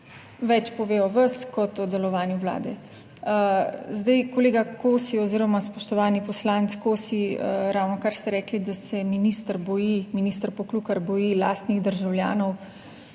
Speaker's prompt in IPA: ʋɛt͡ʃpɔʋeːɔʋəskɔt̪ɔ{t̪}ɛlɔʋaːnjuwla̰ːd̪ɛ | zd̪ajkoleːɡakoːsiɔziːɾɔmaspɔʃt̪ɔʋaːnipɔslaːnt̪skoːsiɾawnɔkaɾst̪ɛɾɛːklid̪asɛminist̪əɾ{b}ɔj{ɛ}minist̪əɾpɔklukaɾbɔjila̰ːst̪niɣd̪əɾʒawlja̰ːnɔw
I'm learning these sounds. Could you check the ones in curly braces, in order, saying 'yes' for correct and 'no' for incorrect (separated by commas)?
no, yes, no